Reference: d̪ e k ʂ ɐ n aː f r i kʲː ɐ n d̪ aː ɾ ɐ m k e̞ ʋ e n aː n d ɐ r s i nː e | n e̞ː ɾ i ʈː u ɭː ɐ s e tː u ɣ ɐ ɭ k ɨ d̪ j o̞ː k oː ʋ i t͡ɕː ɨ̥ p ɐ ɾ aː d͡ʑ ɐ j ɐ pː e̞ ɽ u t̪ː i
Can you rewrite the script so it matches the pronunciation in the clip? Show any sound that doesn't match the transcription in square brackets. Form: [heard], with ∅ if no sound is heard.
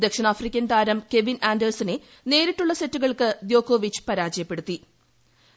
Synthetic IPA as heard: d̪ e k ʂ ɐ n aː f r i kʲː ɐ n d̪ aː ɾ ɐ m k e̞ ʋ [i] n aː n d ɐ r s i [n] e | n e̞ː ɾ i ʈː u ɭː ɐ s e tː u ɣ ɐ ɭ k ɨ d̪ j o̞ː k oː ʋ i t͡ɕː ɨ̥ p ɐ ɾ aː d͡ʑ ɐ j ɐ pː e̞ ɽ u t̪ː i